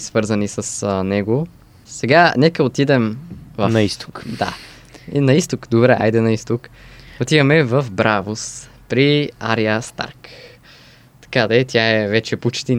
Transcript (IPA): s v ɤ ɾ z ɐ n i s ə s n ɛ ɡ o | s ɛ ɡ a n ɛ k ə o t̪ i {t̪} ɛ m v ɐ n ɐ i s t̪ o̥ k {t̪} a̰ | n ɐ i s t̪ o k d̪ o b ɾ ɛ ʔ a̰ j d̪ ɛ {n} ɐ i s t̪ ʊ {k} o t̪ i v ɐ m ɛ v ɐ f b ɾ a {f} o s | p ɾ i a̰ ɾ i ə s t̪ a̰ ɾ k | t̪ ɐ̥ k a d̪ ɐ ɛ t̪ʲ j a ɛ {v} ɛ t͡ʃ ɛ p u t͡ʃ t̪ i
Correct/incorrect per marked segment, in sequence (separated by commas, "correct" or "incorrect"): incorrect, incorrect, correct, correct, incorrect, correct